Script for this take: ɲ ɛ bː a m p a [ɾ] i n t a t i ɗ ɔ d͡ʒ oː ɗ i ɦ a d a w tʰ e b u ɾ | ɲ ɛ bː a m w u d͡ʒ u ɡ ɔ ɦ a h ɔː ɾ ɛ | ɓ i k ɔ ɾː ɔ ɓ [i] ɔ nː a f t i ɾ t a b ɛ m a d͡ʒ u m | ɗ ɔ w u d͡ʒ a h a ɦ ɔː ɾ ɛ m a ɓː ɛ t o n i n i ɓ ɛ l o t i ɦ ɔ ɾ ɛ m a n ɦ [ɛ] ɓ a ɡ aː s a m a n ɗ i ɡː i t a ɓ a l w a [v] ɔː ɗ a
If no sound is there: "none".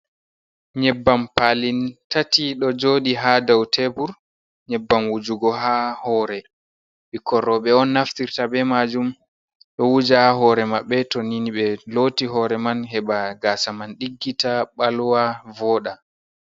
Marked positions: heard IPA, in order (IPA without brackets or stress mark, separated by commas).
l, ɛ, ɛ, v